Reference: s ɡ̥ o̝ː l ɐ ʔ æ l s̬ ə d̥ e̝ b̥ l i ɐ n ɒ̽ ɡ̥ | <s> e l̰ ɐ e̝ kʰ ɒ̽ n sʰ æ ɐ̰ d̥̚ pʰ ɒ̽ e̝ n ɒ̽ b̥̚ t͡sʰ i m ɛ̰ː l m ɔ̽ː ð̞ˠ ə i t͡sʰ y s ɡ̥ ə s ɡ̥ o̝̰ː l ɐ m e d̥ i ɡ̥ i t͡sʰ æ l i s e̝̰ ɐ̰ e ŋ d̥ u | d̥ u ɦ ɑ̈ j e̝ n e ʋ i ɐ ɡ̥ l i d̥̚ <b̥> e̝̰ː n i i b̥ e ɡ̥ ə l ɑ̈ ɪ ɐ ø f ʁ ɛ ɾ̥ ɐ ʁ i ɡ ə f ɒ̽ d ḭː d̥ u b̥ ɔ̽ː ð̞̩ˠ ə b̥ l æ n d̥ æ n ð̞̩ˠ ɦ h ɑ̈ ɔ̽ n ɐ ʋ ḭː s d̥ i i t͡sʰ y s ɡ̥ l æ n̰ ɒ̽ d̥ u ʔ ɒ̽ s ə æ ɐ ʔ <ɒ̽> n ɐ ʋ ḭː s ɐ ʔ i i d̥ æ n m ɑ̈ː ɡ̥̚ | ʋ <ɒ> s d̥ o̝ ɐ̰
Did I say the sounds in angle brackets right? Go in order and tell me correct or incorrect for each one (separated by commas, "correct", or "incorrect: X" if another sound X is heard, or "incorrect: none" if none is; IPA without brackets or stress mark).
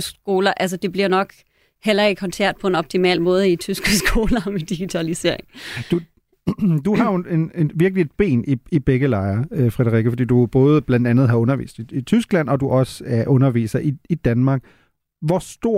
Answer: incorrect: h, correct, incorrect: ɔ̽, correct